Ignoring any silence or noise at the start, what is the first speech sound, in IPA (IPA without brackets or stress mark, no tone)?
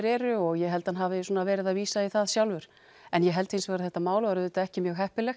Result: ɾ